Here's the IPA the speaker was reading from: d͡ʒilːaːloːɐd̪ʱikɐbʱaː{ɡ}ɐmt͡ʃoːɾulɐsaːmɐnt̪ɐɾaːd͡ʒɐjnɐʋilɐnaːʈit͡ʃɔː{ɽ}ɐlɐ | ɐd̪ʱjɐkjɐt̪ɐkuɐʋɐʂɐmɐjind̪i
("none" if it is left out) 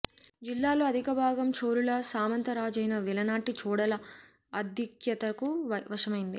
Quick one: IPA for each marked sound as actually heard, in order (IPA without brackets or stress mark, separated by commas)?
ɡ, ɽ